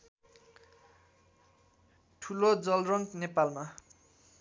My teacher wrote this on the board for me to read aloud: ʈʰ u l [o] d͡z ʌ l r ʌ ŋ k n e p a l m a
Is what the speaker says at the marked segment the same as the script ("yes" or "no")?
yes